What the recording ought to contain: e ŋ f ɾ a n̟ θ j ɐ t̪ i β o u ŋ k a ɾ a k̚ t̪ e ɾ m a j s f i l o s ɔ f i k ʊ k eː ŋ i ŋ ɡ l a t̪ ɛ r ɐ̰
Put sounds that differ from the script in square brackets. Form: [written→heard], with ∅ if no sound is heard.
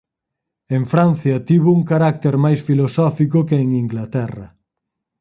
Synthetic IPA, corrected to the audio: e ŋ f ɾ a n̟ θ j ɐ t̪ i β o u ŋ k a ɾ a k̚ t̪ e ɾ m a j s f i l o s ɔ f i k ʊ k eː ŋ i ŋ ɡ l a t̪ ɛ r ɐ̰